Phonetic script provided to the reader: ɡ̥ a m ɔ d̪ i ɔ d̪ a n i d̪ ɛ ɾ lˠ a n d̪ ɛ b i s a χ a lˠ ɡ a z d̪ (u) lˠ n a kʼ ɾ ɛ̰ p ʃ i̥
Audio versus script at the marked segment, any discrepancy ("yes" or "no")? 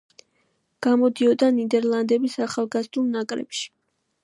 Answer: no